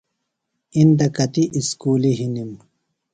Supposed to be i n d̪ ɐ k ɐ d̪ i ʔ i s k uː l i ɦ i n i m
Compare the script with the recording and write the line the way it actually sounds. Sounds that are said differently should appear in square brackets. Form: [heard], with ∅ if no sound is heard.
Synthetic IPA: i n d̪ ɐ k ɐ [t̪] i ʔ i s k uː l i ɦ i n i m